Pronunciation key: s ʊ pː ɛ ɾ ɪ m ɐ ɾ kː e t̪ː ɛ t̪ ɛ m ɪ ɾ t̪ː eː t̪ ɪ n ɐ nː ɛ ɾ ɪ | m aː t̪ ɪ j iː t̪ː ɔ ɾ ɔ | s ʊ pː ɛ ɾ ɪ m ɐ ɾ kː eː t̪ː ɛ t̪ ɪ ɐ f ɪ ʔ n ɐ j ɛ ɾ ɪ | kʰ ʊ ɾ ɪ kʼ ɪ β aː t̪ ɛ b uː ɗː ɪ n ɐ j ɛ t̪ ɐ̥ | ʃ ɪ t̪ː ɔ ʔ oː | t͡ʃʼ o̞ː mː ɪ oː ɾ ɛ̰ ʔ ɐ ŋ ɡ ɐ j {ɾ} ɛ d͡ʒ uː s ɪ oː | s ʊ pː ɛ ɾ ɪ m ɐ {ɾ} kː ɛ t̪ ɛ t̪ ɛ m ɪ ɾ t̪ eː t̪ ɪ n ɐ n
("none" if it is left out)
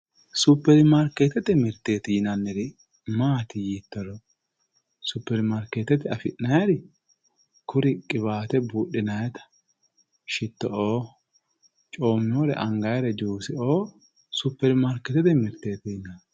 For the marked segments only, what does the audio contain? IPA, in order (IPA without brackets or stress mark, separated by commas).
ɾ, ɾ